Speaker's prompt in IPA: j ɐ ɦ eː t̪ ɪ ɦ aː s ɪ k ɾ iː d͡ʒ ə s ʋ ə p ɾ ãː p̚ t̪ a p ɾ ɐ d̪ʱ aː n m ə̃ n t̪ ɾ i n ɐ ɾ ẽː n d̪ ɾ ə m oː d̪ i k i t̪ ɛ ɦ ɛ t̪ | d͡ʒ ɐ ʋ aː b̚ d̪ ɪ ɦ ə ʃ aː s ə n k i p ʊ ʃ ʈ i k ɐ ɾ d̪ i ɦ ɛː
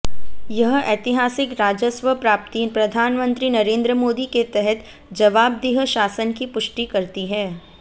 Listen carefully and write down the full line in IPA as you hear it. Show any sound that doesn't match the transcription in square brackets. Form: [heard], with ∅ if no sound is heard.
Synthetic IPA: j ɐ ɦ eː t̪ ɪ ɦ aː s ɪ k ɾ [aː] d͡ʒ ə s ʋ ə p ɾ [aː] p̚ t̪ [i] p ɾ ɐ d̪ʱ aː n m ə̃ n t̪ ɾ i n ɐ ɾ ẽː n d̪ ɾ ə m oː d̪ i k [e] t̪ ɛ ɦ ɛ t̪ | d͡ʒ ɐ ʋ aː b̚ d̪ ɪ ɦ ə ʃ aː s ə n k i p ʊ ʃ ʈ i k ɐ ɾ [t̪] i ɦ ɛː